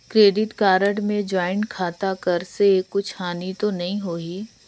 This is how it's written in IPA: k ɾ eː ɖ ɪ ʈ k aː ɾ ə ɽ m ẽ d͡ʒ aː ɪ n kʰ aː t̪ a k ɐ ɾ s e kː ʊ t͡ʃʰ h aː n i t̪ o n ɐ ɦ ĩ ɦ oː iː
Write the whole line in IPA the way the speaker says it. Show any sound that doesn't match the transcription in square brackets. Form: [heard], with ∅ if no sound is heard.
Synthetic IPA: k ɾ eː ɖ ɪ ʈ k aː ɾ ə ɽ m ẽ d͡ʒ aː ɪ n kʰ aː t̪ a k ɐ ɾ s e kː ʊ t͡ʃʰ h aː n i t̪ o n ɐ ɦ ĩ ɦ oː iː